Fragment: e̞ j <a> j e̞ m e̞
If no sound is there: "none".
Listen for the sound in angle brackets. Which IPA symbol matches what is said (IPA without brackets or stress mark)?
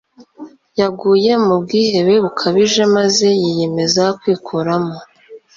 i